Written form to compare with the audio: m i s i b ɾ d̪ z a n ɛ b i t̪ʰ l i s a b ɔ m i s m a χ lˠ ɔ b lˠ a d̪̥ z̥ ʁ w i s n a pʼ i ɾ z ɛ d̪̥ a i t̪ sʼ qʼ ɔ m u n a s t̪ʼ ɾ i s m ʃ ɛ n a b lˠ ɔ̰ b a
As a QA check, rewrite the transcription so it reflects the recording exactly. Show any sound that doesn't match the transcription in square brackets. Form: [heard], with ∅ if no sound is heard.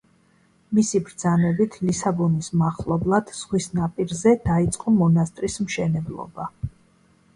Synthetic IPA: m i s i b ɾ d̪ z a n ɛ b i t̪ʰ l i s a b ɔ [n] i s m a χ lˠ ɔ b lˠ a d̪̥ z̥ ʁ w i s n a pʼ i ɾ z ɛ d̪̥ a i t̪ sʼ qʼ ɔ m [ɔ] n a s t̪ʼ ɾ i s m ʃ ɛ n [ɛ] b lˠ ɔ̰ b a